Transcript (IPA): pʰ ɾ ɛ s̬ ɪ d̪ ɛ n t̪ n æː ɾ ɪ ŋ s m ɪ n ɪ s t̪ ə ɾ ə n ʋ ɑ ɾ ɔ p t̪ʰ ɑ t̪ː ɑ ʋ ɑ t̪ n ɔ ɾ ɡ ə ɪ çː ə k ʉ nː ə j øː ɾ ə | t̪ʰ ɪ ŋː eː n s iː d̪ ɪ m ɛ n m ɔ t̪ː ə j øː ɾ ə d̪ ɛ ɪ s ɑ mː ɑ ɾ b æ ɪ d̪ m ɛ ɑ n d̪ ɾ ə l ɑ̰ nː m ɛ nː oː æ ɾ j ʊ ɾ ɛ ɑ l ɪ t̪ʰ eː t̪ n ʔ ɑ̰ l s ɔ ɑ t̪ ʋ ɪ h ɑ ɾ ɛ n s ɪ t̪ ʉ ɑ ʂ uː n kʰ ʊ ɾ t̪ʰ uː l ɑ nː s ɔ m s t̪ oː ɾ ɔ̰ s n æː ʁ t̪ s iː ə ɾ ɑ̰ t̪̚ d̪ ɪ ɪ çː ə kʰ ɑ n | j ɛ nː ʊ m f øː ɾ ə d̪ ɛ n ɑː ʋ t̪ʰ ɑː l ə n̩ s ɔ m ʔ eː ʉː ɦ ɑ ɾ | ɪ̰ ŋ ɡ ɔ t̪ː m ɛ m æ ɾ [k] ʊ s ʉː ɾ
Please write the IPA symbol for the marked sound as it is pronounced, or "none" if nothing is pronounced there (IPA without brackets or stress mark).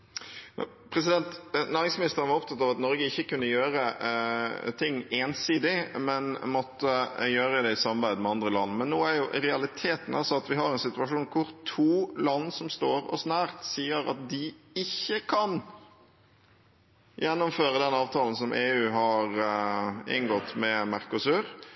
k